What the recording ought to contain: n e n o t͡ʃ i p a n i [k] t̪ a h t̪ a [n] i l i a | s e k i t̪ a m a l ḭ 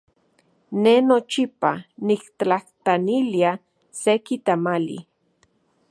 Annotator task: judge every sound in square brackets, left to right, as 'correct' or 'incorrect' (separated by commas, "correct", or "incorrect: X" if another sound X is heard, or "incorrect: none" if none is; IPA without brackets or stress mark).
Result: correct, correct